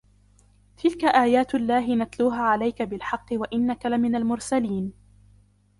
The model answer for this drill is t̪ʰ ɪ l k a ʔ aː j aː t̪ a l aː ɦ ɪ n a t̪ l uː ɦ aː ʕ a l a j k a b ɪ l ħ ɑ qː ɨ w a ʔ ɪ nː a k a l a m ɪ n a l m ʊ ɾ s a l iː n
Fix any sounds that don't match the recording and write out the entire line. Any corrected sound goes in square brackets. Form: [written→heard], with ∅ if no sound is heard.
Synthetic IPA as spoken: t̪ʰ ɪ l k a ʔ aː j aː t̪ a [l→lː] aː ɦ ɪ n a t̪ l uː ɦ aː ʕ a l a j k a b ɪ l ħ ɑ qː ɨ w a ʔ ɪ nː a k a l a m ɪ n a l m ʊ ɾ s a l iː n